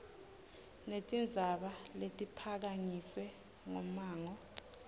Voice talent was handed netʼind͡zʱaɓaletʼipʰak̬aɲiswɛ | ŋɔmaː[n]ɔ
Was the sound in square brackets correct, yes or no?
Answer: no